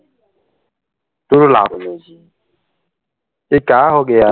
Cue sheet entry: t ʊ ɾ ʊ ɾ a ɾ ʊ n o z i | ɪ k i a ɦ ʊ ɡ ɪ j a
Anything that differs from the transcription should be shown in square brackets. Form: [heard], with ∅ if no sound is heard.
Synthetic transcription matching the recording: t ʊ ɾ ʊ [l] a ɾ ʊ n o z i | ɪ k [a] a ɦ ʊ ɡ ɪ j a